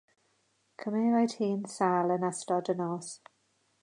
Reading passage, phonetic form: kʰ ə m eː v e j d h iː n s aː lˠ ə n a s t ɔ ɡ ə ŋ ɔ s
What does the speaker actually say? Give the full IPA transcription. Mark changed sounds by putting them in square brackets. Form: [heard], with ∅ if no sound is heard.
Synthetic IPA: kʰ ə m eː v [a] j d h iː n s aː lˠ ə n a s t ɔ [d] ə [n] ɔ s